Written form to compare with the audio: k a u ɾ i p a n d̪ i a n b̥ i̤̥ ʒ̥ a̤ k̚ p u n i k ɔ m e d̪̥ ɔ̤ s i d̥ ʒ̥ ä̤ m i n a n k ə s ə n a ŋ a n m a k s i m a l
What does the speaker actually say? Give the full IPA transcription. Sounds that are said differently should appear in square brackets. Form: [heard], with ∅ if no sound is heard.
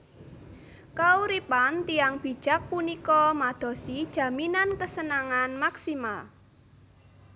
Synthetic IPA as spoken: k a u ɾ i p a n [t̪] i a [ŋ] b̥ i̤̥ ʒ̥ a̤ k̚ p u n i k ɔ m [a] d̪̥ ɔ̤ s i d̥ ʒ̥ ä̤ m i n a n k ə s ə n a ŋ a n m a k s i m a l